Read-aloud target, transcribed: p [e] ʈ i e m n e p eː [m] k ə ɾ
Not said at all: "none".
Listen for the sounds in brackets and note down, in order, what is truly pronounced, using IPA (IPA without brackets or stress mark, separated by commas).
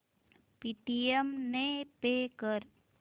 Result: i, none